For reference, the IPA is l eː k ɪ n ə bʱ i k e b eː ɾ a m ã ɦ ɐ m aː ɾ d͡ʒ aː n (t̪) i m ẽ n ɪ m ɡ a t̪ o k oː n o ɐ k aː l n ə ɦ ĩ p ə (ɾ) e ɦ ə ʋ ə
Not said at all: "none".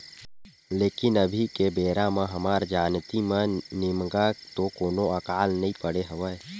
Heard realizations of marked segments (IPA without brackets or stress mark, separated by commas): t̪, ɽ